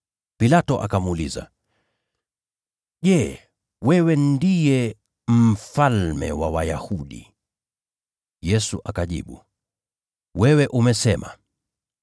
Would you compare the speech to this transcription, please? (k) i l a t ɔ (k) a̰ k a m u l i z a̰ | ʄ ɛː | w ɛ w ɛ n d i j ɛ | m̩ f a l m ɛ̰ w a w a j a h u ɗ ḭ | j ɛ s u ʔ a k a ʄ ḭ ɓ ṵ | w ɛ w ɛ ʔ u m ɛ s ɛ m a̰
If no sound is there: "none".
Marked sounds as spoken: p, ʔ

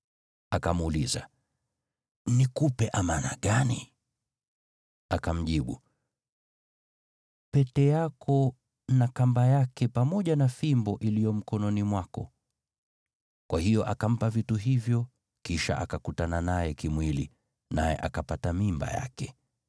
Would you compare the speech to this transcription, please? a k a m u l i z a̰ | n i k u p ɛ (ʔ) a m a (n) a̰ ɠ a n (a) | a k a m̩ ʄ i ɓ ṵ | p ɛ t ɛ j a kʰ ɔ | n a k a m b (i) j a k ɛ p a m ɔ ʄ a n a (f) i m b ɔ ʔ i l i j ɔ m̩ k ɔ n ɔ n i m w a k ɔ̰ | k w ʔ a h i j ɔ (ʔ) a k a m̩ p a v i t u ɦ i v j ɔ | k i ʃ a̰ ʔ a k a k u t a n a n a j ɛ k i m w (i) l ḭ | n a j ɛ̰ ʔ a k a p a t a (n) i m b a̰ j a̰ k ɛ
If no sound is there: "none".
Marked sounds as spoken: ʔ, n, i, a, f, ʔ, i, m

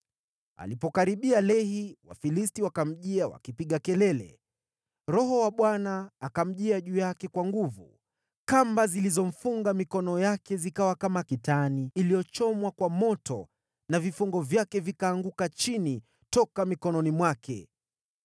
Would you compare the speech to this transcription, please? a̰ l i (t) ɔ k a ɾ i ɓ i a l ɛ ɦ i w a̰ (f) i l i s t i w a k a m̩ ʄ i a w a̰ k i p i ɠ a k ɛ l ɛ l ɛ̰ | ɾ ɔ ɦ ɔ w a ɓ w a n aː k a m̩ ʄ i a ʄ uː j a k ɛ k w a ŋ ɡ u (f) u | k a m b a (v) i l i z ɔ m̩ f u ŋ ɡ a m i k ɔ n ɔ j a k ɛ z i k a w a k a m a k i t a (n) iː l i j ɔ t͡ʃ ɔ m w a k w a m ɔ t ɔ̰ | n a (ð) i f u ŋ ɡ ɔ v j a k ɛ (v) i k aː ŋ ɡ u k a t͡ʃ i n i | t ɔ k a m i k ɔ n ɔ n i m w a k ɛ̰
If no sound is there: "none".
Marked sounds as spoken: p, f, v, z, n, v, v

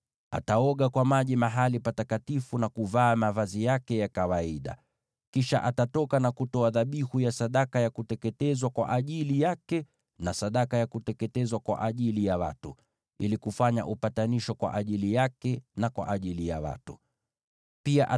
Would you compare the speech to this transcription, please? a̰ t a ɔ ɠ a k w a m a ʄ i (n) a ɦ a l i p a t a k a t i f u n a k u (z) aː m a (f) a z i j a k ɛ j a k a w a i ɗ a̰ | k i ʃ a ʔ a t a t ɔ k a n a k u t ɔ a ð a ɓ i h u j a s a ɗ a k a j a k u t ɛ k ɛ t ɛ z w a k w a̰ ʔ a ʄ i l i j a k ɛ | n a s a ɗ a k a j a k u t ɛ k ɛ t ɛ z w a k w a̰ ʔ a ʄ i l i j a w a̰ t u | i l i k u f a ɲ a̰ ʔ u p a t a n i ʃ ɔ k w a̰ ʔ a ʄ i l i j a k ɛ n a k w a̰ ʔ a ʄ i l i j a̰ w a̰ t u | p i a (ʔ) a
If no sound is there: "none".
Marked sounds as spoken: m, v, v, ʔ

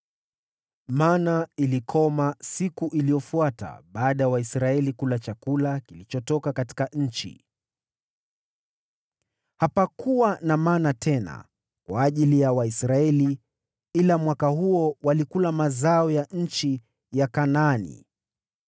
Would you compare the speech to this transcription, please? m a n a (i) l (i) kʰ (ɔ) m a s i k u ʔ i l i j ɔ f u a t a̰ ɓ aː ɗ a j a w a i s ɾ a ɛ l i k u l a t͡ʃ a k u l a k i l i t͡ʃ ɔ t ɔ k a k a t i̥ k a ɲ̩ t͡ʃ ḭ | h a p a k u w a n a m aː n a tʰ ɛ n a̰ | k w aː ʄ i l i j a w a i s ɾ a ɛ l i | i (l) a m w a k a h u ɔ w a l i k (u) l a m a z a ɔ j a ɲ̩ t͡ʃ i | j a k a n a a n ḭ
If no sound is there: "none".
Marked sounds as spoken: i, i, ɔ, l, u

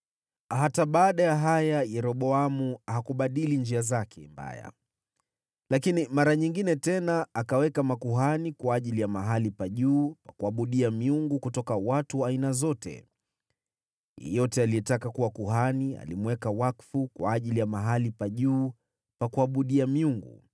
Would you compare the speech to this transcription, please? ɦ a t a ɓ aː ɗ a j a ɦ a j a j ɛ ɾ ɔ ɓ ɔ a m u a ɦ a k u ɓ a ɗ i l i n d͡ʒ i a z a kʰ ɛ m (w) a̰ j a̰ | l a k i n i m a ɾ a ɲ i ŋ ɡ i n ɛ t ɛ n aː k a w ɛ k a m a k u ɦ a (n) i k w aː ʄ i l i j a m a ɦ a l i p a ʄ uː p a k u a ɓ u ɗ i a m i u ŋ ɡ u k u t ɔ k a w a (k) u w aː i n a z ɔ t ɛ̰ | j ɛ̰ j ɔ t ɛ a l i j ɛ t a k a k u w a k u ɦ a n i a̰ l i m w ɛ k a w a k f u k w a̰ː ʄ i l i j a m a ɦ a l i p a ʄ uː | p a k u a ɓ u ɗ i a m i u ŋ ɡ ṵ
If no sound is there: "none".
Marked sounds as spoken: b, n, t

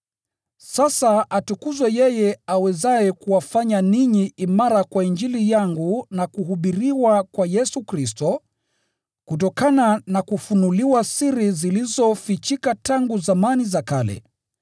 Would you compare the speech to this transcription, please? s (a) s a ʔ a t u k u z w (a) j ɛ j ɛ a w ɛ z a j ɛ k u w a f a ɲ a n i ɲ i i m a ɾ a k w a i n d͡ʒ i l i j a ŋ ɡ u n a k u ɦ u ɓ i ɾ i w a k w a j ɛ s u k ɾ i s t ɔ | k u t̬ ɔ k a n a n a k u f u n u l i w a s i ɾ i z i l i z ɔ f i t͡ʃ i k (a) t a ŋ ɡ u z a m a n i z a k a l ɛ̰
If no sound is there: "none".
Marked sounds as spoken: a, ɛ, a

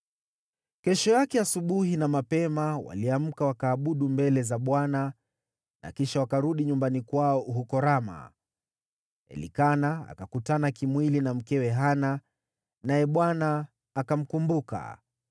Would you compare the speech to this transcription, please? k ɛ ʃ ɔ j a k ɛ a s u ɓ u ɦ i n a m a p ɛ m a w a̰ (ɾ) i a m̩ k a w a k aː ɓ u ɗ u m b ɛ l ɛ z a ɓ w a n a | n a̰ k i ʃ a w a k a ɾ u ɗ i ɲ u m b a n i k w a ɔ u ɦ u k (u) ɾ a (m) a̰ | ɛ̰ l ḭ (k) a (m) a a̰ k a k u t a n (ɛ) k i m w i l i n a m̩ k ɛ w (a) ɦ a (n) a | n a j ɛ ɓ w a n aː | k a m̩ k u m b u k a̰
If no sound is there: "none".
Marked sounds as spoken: l, ɔ, m, k, n, a, ɛ, n

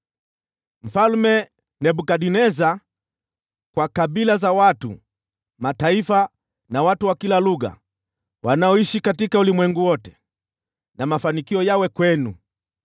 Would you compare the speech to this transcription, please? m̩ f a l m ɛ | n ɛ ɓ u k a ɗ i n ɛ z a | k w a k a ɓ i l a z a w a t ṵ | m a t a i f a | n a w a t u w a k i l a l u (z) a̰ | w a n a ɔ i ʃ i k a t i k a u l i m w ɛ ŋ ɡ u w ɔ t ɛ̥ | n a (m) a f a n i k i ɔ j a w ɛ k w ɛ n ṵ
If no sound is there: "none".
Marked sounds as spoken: ɣ, m

